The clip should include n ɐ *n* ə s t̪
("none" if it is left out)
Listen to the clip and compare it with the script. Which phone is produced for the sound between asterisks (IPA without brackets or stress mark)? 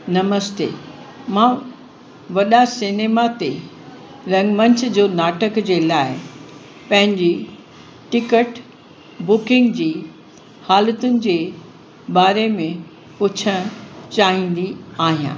m